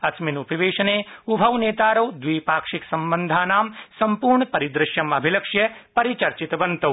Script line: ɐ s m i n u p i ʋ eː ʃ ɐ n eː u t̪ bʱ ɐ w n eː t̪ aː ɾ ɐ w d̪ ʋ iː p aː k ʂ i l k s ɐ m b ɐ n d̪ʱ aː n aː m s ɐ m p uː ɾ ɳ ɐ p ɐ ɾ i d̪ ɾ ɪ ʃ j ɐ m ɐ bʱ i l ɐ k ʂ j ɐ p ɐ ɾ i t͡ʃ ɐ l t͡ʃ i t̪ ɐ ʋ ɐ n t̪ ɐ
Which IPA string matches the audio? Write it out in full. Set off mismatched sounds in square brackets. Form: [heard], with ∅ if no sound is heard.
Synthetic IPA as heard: ɐ s m i n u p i ʋ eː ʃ ɐ n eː u [∅] bʱ ɐ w n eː t̪ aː ɾ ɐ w d̪ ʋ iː p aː k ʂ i [∅] k s ɐ m b ɐ n d̪ʱ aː n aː m s ɐ m p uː ɾ ɳ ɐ p ɐ ɾ i d̪ ɾ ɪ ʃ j ɐ m ɐ bʱ i l ɐ k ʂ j ɐ p ɐ ɾ i t͡ʃ ɐ [ɾ] t͡ʃ i t̪ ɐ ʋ ɐ n t̪ ɐ